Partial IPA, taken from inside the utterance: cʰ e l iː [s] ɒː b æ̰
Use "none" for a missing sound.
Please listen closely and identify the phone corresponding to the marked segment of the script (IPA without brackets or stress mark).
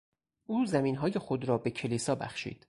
s